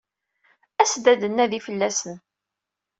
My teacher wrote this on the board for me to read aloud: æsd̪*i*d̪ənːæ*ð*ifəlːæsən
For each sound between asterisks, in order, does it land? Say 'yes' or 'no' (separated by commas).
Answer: no, yes